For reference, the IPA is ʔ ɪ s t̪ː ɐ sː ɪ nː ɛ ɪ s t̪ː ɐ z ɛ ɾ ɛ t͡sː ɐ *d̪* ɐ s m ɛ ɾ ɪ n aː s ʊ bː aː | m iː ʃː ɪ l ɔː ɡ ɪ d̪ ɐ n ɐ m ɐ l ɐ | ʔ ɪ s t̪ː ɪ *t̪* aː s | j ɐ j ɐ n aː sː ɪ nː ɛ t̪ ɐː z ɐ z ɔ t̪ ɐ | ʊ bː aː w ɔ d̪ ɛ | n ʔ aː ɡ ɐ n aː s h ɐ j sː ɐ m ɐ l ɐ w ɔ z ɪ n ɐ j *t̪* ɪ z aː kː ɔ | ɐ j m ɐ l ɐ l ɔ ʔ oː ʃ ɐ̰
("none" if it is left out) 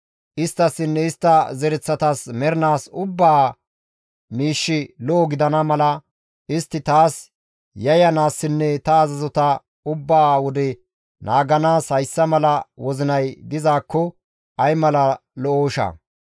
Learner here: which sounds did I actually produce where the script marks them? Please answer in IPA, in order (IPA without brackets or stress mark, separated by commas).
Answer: t̪, t̪, d̪